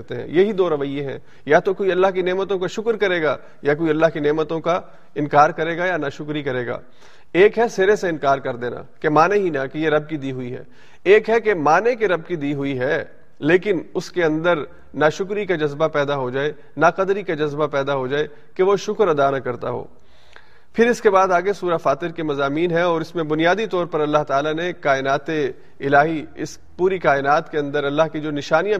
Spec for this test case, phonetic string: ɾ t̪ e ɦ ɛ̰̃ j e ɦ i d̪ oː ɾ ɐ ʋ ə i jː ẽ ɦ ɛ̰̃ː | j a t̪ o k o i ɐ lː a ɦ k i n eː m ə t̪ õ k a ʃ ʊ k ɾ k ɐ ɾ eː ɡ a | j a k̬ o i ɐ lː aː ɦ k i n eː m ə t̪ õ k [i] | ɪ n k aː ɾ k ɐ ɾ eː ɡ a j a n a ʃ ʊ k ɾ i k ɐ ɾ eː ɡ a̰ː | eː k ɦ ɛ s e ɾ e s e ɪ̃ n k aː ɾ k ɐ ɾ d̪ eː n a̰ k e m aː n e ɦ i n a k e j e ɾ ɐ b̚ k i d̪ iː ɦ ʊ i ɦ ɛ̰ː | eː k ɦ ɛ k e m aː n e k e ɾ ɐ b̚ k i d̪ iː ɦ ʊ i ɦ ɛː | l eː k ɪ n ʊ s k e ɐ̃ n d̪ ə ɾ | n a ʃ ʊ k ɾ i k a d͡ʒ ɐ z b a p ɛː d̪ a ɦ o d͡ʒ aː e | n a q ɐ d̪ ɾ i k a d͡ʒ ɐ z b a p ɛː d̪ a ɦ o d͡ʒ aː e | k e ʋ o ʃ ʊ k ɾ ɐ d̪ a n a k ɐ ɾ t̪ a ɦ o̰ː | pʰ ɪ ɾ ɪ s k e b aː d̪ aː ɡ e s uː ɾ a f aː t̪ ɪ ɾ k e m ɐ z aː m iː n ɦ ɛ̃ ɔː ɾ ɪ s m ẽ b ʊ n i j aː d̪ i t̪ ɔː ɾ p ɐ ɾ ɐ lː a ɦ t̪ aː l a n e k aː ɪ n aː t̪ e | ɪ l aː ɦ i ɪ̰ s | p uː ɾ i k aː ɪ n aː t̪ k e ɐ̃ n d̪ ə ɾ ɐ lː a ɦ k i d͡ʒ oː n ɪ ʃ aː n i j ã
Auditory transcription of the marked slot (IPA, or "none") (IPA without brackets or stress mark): a